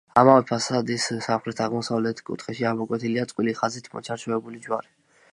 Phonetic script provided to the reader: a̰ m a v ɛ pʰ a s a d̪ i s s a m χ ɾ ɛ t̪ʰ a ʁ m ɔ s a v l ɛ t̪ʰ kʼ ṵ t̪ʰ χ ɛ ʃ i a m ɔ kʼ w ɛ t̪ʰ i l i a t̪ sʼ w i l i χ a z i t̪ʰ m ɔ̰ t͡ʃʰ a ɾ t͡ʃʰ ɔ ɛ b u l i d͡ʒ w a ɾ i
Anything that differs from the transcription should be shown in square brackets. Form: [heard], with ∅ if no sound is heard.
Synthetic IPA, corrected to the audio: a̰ m a v ɛ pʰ a s a d̪ i s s a m χ ɾ ɛ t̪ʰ a ʁ m ɔ s a v l ɛ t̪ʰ kʼ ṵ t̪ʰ χ ɛ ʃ i a m ɔ kʼ w ɛ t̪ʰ i l i a t̪ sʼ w i l i χ a z i t̪ʰ m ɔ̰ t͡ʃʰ a ɾ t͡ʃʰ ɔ ɛ b u l i d͡ʒ w a ɾ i